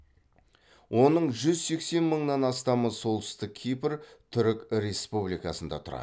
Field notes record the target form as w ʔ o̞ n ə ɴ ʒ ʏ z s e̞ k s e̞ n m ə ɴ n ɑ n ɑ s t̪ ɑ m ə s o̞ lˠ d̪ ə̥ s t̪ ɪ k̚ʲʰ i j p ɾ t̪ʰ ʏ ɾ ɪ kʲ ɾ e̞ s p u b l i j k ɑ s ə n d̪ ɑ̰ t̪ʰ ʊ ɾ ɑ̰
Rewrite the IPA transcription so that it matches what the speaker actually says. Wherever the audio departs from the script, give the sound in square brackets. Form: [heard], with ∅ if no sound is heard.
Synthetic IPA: w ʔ o̞ n ə ɴ ʒ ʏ z s e̞ k s e̞ n m ə ɴ n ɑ n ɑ s t̪ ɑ m ə s o̞ lˠ [t̪] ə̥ s t̪ ɪ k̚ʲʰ i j p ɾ t̪ʰ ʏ ɾ ɪ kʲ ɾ e̞ s p u b l i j k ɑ s ə n d̪ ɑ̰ t̪ʰ ʊ ɾ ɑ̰